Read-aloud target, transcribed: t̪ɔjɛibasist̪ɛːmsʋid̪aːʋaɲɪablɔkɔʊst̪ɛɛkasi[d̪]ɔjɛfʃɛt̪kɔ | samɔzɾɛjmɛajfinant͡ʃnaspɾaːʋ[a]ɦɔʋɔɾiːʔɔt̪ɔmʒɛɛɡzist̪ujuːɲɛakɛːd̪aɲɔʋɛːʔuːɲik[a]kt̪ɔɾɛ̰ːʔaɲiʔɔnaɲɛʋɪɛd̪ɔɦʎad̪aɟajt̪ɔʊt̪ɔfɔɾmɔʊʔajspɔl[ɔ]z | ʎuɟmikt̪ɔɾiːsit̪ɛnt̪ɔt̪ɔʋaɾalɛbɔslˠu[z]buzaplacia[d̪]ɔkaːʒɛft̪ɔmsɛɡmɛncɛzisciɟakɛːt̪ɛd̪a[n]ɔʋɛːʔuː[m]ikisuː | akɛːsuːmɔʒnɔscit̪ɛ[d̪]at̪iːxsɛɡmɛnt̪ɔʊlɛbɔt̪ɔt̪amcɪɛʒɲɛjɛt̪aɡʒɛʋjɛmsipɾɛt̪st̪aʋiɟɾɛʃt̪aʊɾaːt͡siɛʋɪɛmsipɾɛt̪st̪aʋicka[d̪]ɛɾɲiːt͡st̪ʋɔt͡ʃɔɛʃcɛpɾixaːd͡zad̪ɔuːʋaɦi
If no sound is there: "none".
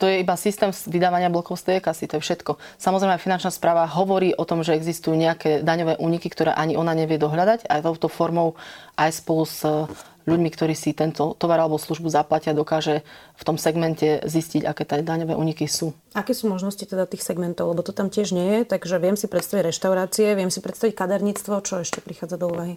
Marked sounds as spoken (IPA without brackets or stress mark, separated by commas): t̪, a, i, u, ʒ, d̪, ɲ, ɲ, d̪, d̪